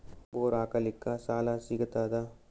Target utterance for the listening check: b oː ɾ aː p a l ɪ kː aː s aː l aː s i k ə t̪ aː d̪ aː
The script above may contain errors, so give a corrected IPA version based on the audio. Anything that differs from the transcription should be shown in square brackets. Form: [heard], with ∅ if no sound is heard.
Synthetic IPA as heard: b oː ɾ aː [k] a l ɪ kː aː s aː l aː s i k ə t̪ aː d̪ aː